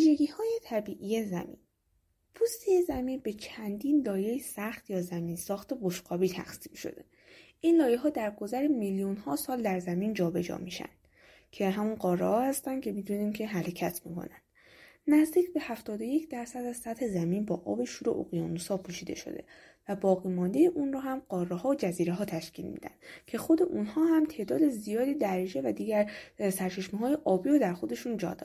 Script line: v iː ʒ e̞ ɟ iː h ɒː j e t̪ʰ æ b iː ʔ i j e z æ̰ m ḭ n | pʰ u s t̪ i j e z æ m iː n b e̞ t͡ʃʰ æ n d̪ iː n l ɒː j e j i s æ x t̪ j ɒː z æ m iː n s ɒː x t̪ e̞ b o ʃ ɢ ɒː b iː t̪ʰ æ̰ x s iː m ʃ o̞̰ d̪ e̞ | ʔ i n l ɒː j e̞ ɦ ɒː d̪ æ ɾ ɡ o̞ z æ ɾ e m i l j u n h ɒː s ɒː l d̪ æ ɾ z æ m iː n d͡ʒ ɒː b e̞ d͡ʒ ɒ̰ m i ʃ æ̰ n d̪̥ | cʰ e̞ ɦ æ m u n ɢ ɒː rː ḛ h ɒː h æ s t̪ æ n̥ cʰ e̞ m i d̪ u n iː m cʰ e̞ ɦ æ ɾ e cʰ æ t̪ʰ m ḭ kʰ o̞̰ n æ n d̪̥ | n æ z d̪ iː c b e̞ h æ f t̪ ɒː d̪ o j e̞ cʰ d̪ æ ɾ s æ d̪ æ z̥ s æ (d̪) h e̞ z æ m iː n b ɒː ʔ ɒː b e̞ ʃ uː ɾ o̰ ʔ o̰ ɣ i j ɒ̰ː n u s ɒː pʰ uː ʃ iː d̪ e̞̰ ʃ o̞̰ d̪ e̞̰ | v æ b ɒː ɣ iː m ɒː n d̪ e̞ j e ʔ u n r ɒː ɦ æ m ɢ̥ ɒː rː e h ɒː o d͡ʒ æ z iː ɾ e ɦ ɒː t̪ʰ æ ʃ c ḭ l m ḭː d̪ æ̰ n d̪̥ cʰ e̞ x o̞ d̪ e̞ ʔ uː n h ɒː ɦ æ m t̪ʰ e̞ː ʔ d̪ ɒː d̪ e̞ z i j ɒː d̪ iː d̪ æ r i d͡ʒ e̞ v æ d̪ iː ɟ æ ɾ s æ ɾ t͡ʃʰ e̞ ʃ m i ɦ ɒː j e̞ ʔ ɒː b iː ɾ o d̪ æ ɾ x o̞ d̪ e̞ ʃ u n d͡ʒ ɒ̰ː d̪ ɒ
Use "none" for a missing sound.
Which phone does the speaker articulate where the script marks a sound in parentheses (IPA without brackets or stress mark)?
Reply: t̪